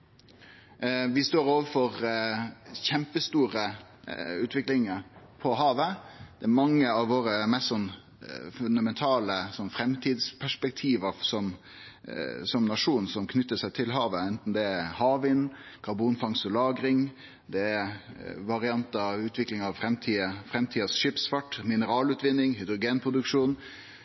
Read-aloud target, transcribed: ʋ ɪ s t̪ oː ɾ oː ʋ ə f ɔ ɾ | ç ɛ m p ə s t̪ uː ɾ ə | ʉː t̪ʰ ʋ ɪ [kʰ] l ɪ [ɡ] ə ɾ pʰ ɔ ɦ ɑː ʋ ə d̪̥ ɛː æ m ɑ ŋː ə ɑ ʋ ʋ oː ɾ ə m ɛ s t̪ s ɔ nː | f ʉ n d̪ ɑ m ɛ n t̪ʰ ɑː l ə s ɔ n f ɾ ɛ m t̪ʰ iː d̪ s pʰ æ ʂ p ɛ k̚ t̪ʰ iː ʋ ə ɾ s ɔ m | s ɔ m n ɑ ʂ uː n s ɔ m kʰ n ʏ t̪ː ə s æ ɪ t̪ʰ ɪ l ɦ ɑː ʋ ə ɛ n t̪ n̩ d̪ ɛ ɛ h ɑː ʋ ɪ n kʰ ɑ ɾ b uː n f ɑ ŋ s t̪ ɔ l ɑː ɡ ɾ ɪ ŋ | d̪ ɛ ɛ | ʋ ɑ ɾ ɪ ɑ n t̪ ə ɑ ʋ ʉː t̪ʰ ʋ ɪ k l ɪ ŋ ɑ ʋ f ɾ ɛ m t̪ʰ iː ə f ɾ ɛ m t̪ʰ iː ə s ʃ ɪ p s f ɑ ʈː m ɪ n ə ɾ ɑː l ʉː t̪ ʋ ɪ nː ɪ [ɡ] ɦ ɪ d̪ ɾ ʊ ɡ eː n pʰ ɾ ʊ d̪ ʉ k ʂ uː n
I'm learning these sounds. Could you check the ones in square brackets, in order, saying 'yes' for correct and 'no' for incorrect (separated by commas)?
no, no, no